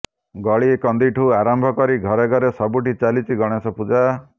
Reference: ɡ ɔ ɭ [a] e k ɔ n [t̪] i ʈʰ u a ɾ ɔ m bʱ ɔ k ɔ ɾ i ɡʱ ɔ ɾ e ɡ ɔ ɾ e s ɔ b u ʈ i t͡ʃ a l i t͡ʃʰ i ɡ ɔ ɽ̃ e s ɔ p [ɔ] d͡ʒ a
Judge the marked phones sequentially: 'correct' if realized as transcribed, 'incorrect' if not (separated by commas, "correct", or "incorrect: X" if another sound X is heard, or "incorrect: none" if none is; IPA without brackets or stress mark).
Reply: incorrect: i, incorrect: d̪, incorrect: u